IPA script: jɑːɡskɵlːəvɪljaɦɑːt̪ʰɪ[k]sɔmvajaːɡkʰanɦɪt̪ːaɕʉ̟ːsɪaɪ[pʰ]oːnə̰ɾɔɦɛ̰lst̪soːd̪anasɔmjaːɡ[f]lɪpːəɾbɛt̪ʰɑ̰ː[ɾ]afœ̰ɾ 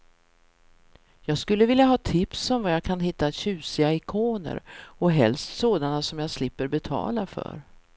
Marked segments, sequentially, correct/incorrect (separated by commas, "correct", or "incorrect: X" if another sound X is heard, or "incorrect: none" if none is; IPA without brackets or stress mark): incorrect: p, incorrect: kʰ, incorrect: s, incorrect: l